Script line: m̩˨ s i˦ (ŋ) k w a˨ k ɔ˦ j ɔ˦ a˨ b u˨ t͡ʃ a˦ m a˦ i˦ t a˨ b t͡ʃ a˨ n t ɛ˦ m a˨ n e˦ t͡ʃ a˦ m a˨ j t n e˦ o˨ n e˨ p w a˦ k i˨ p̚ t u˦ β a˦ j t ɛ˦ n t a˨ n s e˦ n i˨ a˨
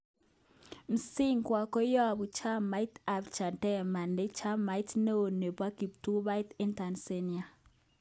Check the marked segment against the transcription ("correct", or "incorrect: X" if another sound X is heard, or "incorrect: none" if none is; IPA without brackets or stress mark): correct